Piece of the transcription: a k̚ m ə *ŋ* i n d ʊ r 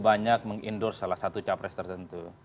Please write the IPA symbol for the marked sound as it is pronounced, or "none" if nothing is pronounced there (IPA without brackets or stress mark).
ŋ